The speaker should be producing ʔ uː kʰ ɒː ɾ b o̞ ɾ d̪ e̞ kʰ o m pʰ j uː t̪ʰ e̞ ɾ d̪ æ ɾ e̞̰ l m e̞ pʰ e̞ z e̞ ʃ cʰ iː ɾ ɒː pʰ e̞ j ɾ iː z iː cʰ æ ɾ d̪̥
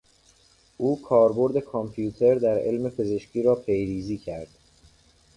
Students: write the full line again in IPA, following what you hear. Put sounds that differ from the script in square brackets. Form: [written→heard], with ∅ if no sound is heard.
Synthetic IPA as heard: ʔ uː kʰ ɒː ɾ b o̞ ɾ d̪ e̞ kʰ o m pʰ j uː t̪ʰ e̞ ɾ d̪ æ ɾ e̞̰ l m e̞ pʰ e̞ z e̞ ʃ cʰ iː ɾ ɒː pʰ e̞ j ɾ iː z iː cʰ æ ɾ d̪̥